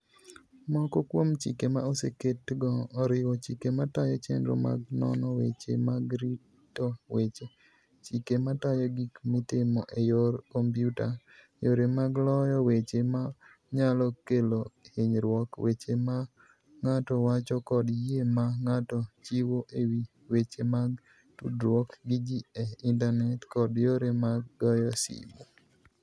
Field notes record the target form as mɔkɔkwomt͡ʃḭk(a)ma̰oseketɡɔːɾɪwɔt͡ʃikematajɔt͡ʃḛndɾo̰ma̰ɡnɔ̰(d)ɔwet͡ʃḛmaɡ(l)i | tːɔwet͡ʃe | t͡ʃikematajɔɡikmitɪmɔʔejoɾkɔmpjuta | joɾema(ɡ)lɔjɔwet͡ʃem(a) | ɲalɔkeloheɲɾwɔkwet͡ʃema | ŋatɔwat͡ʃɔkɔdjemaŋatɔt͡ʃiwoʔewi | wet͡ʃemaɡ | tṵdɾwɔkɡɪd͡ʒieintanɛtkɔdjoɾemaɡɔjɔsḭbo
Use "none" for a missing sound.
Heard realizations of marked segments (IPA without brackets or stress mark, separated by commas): e, n, ɾ, ɡ, a